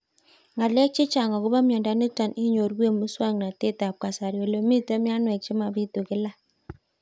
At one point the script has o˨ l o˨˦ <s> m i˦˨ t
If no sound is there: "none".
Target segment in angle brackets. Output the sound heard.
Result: none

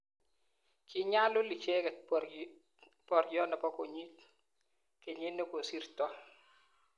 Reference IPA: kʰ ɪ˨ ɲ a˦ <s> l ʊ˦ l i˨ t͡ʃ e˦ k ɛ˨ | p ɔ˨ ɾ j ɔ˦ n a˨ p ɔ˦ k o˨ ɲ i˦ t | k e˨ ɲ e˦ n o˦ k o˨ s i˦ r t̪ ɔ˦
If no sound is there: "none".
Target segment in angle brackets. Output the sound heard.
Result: none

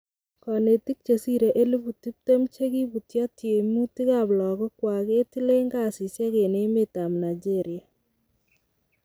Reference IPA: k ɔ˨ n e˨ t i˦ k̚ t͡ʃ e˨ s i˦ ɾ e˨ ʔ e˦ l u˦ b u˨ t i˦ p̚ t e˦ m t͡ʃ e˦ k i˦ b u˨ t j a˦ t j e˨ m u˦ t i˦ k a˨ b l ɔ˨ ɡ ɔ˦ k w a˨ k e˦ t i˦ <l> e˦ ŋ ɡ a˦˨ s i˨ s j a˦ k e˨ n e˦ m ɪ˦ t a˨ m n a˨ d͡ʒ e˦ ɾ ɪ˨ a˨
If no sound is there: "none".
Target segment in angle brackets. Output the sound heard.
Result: l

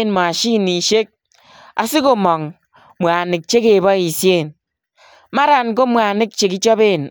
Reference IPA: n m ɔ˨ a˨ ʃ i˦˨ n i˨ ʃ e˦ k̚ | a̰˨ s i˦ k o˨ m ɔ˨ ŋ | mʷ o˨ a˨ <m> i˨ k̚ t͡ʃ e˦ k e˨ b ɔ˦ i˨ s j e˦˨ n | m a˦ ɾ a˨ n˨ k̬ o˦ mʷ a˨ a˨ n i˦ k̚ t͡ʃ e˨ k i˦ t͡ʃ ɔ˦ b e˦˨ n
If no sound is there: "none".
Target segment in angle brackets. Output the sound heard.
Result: n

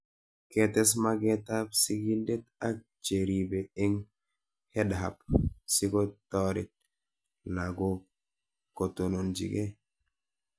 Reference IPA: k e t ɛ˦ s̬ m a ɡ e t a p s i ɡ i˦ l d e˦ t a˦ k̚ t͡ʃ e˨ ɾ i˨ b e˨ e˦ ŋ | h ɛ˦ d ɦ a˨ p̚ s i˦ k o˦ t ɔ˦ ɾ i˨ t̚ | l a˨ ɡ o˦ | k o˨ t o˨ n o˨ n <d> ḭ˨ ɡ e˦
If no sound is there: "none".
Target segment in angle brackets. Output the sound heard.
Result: d͡ʒ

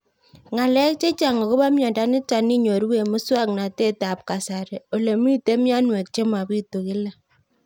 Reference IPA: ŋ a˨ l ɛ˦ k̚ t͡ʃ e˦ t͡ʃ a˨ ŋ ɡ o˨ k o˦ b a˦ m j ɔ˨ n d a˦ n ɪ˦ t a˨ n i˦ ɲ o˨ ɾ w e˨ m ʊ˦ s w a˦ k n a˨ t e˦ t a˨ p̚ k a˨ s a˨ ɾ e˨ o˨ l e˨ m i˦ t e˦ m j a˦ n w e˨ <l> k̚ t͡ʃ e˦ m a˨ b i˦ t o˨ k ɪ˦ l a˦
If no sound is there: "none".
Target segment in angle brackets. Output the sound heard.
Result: none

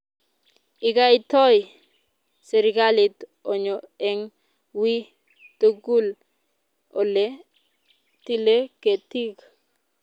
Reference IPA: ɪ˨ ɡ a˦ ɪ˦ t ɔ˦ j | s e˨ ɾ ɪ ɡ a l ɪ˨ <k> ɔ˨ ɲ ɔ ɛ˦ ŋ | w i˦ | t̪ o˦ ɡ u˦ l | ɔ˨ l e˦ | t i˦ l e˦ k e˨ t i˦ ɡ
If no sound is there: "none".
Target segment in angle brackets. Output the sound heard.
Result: t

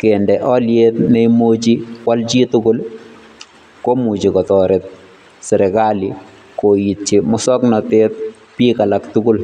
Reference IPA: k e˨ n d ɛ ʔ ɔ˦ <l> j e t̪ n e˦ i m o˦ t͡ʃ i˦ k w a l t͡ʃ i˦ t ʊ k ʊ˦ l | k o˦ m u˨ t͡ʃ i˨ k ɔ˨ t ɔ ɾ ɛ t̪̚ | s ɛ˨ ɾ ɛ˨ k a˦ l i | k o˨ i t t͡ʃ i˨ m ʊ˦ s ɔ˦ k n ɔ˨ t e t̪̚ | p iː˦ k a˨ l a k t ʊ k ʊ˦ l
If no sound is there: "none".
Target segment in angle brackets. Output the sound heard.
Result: l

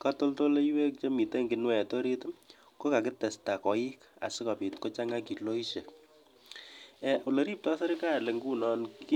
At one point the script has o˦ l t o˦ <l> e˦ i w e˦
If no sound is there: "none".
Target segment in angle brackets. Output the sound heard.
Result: l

